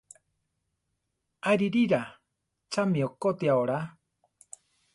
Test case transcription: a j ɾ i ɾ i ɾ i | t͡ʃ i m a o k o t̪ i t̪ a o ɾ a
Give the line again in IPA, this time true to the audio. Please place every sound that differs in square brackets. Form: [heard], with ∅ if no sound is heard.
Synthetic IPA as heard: a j ɾ i ɾ i ɾ [a] | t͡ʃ [a] m [i] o k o t̪ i [∅] a o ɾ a